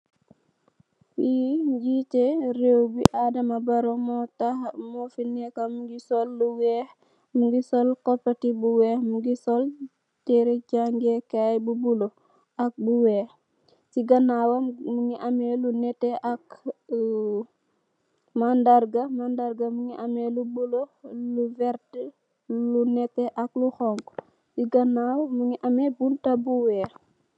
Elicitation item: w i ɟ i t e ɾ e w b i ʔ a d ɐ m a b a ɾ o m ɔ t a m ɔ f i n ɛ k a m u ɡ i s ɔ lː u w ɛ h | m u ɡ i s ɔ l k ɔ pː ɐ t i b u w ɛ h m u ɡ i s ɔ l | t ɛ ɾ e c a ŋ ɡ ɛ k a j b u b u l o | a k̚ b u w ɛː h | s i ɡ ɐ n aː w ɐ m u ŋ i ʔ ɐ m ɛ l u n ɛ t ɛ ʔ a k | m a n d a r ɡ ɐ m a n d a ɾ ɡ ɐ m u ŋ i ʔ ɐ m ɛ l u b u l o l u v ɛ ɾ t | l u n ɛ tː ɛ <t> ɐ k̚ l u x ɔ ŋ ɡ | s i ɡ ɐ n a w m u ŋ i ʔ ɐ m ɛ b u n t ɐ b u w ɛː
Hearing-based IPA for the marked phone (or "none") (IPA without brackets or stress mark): ʔ